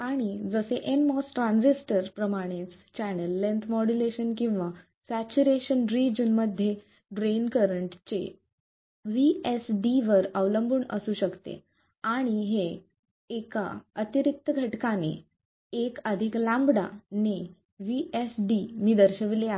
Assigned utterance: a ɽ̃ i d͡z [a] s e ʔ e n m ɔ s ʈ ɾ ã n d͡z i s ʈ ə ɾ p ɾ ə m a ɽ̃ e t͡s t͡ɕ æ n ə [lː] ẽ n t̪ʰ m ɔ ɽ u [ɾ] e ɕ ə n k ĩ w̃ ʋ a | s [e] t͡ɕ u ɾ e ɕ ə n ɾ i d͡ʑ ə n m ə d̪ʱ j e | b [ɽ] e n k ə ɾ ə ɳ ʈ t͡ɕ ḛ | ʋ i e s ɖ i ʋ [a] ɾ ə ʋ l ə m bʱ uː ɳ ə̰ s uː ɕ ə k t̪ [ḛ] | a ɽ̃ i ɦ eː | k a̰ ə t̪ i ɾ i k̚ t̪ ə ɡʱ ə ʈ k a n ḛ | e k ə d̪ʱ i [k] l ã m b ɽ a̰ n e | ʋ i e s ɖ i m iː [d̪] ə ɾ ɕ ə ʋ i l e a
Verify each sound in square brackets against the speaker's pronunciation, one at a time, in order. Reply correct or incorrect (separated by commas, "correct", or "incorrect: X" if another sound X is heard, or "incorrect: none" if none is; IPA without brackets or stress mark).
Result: incorrect: ə, correct, incorrect: l, incorrect: æ, incorrect: ɾ, incorrect: ə, correct, correct, correct